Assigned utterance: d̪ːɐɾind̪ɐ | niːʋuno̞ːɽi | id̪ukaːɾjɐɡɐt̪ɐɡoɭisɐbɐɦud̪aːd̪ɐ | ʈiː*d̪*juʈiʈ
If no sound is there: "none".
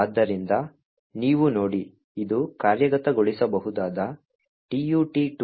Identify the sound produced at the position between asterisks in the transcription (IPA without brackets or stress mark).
none